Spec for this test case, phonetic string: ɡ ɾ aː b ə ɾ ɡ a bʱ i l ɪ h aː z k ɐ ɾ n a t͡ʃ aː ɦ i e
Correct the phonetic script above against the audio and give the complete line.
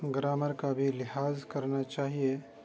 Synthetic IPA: ɡ ɾ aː m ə ɾ k a bʱ i l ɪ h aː z k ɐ ɾ n a t͡ʃ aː ɦ i e

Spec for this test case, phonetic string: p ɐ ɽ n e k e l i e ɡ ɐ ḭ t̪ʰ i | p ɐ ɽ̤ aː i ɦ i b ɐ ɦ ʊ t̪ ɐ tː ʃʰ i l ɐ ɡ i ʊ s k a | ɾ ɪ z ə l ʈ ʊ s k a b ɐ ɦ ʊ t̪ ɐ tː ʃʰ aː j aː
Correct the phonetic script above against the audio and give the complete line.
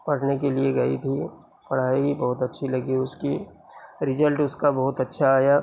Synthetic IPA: p ɐ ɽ n e k e l i e ɡ ɐ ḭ t̪ʰ i | p ɐ ɽ̤ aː i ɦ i b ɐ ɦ ʊ t̪ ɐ tː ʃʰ i l ɐ ɡ i ʊ s k i | ɾ ɪ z ə l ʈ ʊ s k a b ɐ ɦ ʊ t̪ ɐ tː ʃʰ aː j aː

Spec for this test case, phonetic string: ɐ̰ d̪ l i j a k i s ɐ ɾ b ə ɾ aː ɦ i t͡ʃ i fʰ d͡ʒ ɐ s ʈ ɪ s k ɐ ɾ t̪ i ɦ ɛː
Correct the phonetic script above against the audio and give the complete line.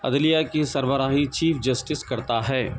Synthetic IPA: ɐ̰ d̪ l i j a k i s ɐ ɾ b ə ɾ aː ɦ i t͡ʃ iː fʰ d͡ʒ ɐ s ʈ ɪ s k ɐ ɾ t̪ a ɦ ɛː

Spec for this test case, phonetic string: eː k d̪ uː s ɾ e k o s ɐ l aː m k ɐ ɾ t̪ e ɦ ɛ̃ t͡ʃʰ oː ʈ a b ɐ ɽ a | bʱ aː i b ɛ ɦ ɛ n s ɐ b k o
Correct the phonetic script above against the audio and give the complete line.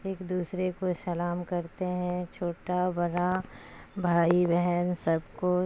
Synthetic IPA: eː k d̪ uː s ɾ e k o s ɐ l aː m k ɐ ɾ t̪ e ɦ ɛ̃ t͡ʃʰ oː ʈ a b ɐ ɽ a | bʱ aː i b ɛ ɦ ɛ n s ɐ b k o

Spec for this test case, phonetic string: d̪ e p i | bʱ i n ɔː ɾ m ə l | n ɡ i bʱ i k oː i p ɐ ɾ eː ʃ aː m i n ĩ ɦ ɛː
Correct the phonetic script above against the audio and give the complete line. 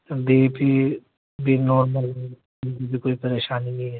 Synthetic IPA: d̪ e p i | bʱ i n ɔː ɾ m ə l | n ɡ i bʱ i k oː i p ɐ ɾ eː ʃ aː n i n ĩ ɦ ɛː

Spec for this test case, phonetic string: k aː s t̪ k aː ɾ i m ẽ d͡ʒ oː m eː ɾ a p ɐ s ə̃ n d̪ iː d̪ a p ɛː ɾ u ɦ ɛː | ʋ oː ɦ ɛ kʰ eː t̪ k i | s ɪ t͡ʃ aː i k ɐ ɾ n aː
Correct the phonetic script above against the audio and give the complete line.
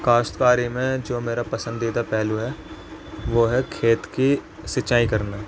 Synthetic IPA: k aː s t̪ k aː ɾ i m ẽ d͡ʒ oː m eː ɾ a p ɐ s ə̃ n d̪ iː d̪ a p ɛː l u ɦ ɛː | ʋ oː ɦ ɛ kʰ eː t̪ k i | s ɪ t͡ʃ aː i k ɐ ɾ n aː

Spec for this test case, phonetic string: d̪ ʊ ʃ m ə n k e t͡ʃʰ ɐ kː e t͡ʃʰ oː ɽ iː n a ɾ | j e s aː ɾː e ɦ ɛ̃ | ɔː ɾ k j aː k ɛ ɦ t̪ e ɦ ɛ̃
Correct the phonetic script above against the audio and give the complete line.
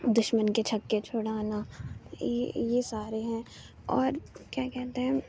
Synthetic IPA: d̪ ʊ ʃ m ə n k e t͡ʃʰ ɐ kː e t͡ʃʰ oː ɽ aː n a | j e s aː ɾ e ɦ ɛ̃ | ɔː ɾ k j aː k ɛ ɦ t̪ e ɦ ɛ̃

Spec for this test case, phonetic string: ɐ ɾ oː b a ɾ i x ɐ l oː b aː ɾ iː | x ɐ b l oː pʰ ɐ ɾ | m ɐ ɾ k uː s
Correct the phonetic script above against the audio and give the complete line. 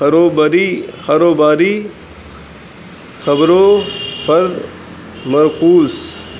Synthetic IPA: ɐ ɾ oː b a ɾ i x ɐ ɾ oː b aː ɾ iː | x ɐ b ɾ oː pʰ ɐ ɾ | m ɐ ɾ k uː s

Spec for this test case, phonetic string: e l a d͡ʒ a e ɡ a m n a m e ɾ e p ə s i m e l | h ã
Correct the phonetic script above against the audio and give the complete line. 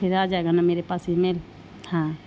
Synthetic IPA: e ɾ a d͡ʒ a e ɡ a n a m e ɾ e p a s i m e l | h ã

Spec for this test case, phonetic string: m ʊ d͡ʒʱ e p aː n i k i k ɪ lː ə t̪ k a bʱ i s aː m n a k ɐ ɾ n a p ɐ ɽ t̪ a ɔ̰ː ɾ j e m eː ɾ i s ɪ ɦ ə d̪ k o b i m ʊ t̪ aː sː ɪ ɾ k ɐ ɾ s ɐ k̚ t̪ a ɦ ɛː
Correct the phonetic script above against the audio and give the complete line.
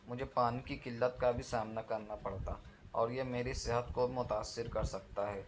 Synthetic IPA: m ʊ d͡ʒʱ e p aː n i k i k ɪ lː ə t̪ k a bʱ i s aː m n a k ɐ ɾ n a p ɐ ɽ t̪ a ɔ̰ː ɾ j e m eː ɾ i s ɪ ɦ ə t̪ k o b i m ʊ t̪ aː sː ɪ ɾ k ɐ ɾ s ɐ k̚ t̪ a ɦ ɛː

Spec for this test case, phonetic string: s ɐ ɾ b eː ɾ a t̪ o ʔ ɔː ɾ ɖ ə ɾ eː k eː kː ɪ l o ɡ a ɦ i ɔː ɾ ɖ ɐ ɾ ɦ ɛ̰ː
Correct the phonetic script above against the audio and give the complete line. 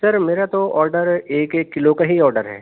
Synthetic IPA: s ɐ ɾ m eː ɾ a t̪ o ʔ ɔː ɾ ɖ ə ɾ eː k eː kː ɪ l o k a ɦ i ɔː ɾ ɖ ə ɾ ɦ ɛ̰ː

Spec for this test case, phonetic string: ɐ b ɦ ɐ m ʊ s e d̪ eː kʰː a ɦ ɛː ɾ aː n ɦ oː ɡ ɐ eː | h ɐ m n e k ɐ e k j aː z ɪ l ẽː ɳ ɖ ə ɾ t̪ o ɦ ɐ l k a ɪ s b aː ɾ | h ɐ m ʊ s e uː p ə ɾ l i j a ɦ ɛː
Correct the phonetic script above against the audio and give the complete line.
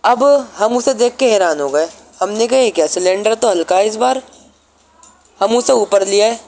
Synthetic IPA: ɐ b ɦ ɐ m ʊ s e d̪ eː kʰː e ɦ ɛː ɾ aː n ɦ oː ɡ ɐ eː | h ɐ m n e k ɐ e k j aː s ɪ l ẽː ɳ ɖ ə ɾ t̪ o ɦ ɐ l k a ɪ s b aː ɾ | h ɐ m ʊ s e uː p ə ɾ l i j a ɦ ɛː

